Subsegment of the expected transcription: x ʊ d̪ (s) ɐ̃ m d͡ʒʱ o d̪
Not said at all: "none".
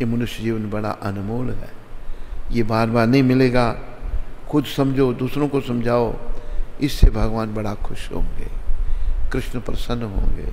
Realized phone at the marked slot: s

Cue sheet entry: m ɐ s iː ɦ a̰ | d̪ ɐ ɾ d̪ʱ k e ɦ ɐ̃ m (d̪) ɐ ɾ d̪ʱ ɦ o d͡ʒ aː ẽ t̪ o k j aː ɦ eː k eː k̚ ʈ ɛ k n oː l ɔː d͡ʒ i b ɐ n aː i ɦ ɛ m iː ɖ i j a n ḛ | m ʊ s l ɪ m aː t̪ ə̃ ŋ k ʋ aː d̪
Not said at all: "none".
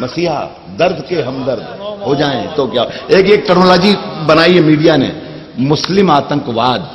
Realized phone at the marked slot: d̪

